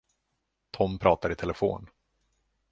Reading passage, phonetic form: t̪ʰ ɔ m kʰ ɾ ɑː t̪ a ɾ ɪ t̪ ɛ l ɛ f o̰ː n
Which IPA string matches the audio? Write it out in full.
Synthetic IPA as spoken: t̪ʰ ɔ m pʰ ɾ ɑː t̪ a ɾ ɪ t̪ʰ ɛ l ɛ f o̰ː n